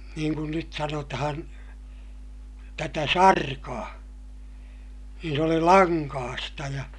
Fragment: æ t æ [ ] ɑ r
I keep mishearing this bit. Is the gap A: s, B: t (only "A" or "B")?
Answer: A